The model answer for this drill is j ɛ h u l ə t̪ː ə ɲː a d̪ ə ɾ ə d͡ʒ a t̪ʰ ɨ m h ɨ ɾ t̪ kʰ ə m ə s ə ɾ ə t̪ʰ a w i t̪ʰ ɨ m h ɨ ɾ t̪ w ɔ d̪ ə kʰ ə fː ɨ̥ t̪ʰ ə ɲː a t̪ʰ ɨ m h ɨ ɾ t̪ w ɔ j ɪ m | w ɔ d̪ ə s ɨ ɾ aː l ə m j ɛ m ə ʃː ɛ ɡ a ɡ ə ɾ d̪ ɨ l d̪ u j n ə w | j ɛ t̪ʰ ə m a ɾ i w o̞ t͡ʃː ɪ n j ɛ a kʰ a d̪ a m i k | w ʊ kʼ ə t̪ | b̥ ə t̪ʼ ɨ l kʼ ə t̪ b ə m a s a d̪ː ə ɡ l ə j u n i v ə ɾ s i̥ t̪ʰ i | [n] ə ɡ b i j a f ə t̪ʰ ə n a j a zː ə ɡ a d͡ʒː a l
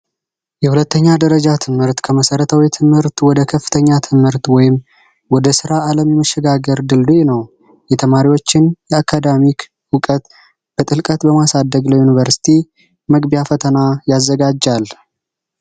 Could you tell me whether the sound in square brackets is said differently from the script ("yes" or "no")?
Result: yes